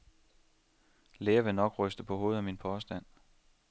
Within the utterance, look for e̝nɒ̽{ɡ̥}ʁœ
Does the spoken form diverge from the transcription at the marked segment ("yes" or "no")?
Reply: no